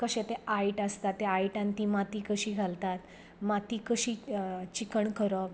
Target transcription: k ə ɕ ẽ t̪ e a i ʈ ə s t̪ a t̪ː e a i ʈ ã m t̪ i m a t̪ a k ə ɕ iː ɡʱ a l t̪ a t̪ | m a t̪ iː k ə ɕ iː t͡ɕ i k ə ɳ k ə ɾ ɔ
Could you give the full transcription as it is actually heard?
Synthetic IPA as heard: k ə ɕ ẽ t̪ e a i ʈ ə s t̪ a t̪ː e a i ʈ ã n t̪ i m a t̪ i k ə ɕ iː ɡʱ a l t̪ a t̪ | m a t̪ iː k ə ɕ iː t͡ɕ i k ə ɳ k ə ɾ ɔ